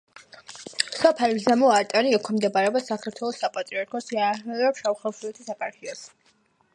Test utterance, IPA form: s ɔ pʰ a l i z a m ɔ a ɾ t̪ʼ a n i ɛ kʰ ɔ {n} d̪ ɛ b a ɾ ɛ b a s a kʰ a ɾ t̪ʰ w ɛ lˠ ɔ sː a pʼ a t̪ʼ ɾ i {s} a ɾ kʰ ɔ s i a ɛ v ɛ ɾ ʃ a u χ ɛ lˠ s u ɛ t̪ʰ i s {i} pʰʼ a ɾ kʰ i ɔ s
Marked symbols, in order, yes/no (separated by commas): no, no, no